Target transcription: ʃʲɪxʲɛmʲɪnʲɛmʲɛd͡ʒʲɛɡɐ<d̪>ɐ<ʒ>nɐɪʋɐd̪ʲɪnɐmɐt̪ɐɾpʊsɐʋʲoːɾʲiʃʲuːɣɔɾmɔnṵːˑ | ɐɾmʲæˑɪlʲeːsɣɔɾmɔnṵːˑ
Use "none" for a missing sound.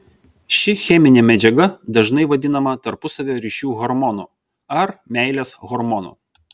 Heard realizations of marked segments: d̪, ʒ

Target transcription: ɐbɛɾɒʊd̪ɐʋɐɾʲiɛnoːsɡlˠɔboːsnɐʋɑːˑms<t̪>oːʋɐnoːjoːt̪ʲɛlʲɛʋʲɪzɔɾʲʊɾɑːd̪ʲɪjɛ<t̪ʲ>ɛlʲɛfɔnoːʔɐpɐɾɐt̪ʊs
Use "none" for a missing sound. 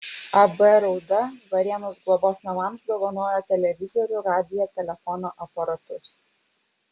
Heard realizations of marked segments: d̪, t̪ʲ

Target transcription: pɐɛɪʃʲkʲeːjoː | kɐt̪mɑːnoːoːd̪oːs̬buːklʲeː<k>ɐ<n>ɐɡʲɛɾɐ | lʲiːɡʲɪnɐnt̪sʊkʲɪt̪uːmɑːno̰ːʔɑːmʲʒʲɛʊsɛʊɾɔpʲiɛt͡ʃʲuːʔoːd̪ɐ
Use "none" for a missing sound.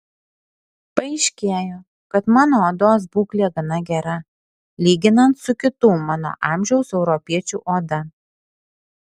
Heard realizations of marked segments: ɡ, n

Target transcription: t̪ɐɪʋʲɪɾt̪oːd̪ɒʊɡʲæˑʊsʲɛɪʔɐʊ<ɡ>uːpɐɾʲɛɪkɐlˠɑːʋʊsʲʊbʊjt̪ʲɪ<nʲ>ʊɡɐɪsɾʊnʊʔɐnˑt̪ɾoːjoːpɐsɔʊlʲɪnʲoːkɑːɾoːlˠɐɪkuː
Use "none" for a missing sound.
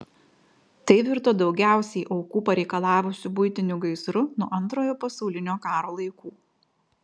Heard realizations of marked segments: k, nʲ

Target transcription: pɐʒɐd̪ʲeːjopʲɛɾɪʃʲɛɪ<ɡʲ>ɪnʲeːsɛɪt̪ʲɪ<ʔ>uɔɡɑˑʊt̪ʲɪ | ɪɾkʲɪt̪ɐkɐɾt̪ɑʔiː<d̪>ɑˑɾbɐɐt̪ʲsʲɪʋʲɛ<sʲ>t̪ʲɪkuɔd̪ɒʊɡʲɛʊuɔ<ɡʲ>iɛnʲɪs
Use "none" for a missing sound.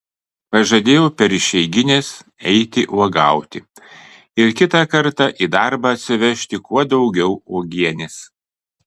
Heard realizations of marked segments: ɡʲ, ʔ, d̪, ʃʲ, ɡʲ

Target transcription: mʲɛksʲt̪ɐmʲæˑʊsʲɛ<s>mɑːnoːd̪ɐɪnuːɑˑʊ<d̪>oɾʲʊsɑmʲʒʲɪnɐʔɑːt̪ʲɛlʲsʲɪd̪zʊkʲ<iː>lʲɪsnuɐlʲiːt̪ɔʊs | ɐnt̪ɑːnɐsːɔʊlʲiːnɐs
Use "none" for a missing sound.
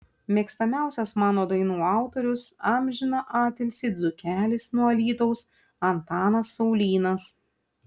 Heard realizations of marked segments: s, t̪, æː

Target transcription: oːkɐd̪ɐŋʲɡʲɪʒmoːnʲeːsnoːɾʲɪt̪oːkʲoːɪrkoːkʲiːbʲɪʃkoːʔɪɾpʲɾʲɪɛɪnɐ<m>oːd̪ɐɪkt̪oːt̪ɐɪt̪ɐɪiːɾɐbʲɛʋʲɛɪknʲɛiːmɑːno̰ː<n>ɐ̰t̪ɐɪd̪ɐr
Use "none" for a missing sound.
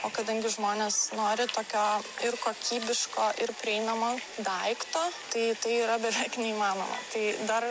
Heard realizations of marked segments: m, m

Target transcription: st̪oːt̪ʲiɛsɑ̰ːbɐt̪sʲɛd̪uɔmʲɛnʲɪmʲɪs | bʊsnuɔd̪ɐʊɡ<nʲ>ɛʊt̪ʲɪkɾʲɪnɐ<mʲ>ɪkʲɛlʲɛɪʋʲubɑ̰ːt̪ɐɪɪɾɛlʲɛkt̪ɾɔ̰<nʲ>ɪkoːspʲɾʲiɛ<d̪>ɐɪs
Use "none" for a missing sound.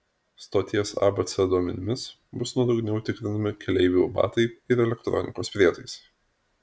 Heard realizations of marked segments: nʲ, mʲ, nʲ, t̪

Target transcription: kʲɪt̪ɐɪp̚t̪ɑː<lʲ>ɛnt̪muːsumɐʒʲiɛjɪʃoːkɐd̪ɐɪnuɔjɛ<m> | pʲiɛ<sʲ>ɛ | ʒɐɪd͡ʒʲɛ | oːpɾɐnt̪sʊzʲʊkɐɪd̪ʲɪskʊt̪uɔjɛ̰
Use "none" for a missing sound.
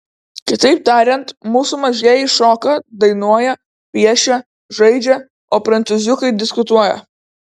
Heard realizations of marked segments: ɾʲ, none, ʃʲ

